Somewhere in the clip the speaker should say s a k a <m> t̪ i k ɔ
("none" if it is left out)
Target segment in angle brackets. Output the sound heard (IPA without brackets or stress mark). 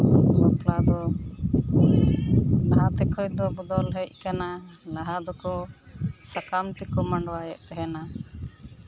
m